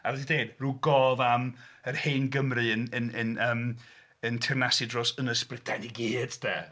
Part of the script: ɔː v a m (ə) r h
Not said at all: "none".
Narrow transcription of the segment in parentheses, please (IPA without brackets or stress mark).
ə